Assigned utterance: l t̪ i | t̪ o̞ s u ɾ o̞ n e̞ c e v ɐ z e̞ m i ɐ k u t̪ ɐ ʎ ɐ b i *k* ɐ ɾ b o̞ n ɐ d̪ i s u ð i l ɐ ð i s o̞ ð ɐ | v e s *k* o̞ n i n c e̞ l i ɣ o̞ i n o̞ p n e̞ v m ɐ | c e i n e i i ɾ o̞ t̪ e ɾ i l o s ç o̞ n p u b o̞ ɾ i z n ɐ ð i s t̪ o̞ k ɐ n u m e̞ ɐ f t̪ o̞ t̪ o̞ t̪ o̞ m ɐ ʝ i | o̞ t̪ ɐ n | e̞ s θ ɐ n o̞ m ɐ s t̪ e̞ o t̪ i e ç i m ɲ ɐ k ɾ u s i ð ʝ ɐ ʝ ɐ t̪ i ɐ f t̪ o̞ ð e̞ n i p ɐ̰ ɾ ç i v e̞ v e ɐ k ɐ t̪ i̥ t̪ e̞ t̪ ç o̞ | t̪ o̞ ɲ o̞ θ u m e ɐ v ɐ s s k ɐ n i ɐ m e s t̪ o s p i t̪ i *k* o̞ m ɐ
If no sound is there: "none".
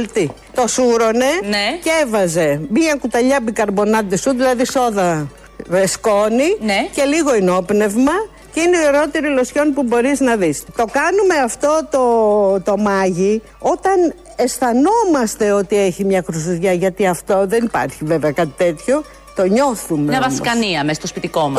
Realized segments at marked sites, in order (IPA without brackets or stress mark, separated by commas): k, k, k